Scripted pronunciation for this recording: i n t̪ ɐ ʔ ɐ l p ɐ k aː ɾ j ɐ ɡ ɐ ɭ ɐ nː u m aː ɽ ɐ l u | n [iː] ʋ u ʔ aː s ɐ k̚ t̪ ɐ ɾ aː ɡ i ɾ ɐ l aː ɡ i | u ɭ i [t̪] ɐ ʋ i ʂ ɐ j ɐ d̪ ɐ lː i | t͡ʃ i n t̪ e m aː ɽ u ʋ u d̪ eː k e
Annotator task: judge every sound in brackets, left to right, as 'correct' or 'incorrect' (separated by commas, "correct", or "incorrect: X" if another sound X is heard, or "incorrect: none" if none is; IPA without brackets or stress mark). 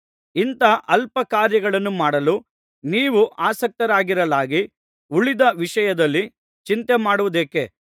correct, incorrect: d̪